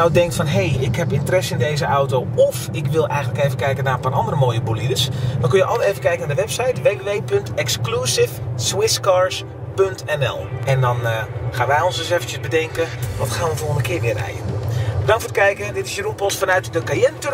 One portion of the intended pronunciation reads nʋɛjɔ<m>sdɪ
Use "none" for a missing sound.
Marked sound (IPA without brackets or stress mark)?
n